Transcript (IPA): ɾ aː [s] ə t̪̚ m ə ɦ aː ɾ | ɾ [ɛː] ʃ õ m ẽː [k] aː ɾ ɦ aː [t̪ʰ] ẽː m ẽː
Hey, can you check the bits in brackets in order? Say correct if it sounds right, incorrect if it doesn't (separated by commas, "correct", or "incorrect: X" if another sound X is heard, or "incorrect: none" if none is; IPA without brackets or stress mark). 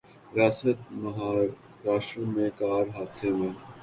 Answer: correct, incorrect: aː, correct, correct